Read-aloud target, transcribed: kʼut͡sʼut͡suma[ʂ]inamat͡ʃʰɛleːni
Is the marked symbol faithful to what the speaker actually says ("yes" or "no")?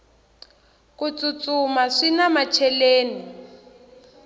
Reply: yes